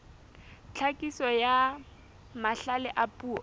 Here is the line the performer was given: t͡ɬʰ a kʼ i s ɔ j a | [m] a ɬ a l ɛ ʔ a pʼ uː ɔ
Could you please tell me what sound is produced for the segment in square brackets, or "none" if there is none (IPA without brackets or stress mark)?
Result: m